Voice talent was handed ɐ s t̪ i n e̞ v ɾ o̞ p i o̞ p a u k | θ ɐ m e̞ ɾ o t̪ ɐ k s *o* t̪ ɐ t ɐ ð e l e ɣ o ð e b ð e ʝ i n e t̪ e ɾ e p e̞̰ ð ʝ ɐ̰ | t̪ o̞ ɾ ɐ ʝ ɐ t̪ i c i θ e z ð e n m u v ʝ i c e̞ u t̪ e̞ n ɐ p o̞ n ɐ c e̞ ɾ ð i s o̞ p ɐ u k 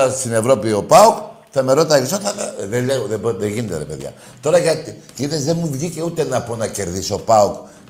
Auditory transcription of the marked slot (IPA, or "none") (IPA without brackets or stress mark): o